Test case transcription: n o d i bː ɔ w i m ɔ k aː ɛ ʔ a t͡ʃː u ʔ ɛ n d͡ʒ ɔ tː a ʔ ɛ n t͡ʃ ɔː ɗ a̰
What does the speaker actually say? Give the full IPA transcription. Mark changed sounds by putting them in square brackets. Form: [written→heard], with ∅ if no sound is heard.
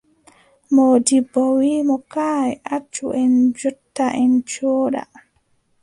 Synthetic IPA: [n→m] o d i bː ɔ w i m ɔ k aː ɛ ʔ a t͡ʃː u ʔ ɛ n d͡ʒ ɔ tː a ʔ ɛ n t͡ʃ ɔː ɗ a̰